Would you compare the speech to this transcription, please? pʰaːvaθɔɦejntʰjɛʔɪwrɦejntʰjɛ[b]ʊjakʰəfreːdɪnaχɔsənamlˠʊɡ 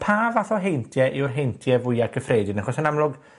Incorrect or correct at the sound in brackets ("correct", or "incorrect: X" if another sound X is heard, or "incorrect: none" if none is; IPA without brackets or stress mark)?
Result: incorrect: v